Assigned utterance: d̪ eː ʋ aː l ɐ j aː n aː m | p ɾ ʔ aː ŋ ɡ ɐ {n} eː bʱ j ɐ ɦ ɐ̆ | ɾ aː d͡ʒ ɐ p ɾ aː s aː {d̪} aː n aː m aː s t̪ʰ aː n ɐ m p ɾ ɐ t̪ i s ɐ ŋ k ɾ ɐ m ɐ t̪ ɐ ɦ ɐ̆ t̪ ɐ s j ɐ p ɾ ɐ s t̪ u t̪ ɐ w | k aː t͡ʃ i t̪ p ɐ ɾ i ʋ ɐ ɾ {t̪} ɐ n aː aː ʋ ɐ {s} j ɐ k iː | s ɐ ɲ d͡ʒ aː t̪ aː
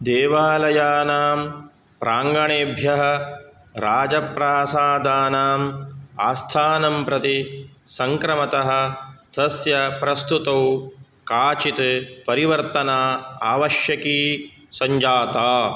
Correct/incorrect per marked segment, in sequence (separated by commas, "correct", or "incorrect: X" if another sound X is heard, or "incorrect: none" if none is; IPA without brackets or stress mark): incorrect: ɳ, correct, correct, incorrect: ʃ